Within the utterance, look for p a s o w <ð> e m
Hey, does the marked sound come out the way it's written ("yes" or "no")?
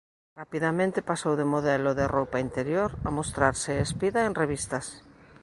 yes